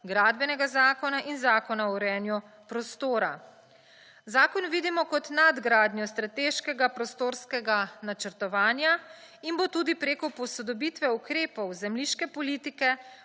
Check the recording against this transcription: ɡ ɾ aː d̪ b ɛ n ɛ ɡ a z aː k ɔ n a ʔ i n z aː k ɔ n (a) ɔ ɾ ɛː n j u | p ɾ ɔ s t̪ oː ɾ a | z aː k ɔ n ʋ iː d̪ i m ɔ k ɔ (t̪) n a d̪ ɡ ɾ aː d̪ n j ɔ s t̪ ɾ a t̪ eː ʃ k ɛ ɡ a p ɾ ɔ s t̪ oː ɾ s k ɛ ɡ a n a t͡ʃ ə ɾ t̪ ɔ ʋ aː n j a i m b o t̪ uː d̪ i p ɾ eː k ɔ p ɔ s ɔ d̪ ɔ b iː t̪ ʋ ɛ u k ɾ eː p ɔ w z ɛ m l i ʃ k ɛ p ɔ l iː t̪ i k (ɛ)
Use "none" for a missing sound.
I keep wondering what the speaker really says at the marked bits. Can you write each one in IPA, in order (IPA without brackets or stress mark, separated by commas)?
a, t̪, ɛ